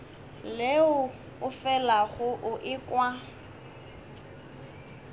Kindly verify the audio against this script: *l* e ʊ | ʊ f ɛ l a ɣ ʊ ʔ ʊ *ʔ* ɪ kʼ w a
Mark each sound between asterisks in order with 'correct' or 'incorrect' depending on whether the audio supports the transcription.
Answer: correct, correct

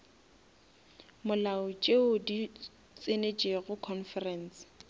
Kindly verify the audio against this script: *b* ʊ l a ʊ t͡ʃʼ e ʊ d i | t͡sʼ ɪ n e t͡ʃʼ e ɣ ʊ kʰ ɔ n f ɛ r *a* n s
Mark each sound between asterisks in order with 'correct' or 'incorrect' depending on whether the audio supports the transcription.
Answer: incorrect: m, incorrect: ɛ

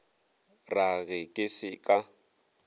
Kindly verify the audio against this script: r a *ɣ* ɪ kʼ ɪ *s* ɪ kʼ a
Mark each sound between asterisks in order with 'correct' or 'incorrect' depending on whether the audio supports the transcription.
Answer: correct, correct

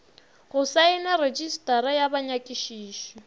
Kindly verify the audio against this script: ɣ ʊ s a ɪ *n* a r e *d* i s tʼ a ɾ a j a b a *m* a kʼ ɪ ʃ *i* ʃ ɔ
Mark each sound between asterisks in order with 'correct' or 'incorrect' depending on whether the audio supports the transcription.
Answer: correct, incorrect: d͡ʒ, incorrect: ɲ, incorrect: iː

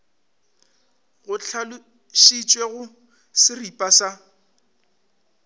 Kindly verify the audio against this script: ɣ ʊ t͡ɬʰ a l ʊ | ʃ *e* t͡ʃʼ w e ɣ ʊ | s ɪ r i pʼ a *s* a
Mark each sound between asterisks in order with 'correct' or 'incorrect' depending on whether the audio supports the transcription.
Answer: incorrect: i, correct

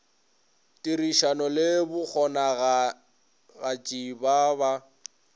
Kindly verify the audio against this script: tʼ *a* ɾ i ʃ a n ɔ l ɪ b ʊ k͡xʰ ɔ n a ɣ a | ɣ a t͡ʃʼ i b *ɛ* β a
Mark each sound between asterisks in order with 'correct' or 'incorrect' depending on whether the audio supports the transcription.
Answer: incorrect: i, incorrect: a

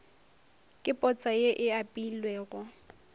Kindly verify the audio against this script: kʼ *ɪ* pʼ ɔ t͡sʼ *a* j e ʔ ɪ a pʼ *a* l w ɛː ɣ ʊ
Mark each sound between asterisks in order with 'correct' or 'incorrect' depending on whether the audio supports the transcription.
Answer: correct, correct, incorrect: i

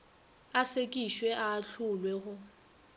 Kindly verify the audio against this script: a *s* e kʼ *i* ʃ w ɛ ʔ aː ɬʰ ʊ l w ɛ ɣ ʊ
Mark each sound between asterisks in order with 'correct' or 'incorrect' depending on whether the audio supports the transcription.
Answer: correct, correct

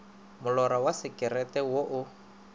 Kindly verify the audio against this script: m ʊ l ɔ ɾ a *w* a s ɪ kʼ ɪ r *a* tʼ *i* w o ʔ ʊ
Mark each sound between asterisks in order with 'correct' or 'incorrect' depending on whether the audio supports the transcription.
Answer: correct, incorrect: ɛ, incorrect: ɛ

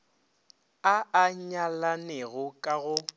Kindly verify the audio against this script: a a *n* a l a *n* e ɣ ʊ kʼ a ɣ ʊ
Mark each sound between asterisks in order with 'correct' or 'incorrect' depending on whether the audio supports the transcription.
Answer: incorrect: ɲ, correct

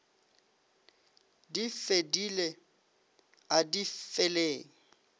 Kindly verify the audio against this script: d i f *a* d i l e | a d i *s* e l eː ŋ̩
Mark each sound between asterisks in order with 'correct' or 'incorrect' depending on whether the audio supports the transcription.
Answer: incorrect: e, incorrect: f

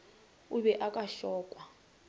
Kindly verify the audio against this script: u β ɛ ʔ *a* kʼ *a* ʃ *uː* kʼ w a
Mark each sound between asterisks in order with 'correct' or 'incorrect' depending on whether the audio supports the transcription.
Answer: correct, correct, incorrect: ɔː

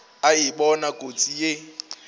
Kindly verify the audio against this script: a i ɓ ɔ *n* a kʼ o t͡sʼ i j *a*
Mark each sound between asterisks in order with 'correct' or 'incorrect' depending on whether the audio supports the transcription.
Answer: correct, incorrect: e

